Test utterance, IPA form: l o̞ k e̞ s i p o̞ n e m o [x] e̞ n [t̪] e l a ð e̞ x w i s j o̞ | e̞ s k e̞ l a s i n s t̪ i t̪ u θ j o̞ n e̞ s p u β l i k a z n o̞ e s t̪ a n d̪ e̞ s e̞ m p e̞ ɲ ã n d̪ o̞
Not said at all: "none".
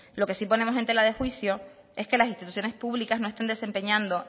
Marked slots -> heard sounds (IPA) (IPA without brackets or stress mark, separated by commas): s, t̪